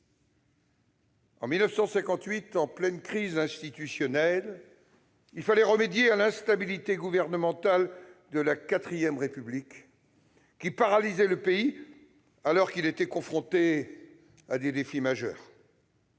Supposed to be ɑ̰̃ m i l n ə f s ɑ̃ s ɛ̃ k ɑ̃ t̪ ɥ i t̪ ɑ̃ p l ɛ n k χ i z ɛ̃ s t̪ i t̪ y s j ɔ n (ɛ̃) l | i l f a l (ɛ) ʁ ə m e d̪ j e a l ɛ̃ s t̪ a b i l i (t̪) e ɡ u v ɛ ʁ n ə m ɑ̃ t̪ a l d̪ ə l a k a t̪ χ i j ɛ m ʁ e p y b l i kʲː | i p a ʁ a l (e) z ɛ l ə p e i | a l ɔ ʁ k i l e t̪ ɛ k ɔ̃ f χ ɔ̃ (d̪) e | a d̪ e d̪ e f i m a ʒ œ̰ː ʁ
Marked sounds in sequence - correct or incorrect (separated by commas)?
incorrect, correct, correct, incorrect, incorrect